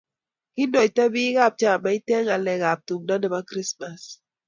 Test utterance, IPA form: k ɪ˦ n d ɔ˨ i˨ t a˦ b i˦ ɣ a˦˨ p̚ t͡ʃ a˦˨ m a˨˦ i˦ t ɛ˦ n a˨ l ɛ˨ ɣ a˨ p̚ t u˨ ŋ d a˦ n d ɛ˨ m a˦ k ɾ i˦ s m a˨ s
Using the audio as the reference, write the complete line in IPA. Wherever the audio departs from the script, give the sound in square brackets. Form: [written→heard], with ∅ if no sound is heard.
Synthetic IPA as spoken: k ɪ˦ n d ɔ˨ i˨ t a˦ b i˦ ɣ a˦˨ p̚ t͡ʃ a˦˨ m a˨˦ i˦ t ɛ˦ [n→ŋ] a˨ l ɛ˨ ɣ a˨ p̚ t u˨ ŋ d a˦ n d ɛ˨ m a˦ k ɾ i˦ s m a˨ s